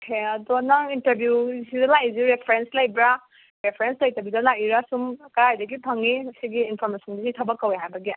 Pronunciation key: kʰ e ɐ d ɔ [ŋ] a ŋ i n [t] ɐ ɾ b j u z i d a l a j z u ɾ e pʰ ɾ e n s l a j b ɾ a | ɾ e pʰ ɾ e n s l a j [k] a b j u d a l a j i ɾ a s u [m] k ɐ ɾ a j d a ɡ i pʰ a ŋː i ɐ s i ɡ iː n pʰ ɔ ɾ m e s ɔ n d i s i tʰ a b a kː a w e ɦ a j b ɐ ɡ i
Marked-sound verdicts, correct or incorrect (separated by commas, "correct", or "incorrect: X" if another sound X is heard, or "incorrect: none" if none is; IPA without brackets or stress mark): incorrect: n, correct, incorrect: t, correct